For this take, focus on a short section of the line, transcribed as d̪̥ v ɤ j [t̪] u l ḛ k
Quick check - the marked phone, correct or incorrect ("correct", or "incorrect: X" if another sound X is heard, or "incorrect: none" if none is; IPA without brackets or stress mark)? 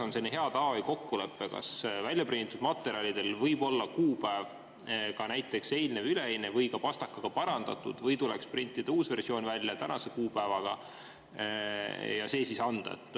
correct